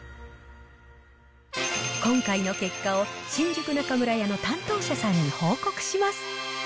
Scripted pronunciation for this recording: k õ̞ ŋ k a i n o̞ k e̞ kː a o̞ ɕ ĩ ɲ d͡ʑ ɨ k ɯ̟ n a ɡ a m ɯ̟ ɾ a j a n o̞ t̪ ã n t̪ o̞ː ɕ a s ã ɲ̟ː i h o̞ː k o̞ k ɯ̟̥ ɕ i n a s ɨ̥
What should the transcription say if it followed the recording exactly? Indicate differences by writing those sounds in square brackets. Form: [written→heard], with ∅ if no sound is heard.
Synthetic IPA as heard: k õ̞ ŋ k a i n o̞ k e̞ kː a o̞ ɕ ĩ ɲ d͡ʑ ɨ k ɯ̟ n a [ɡ→k] a m ɯ̟ ɾ a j a n o̞ t̪ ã n t̪ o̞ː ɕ a s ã ɲ̟ː i h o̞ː k o̞ k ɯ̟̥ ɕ i [n→m] a s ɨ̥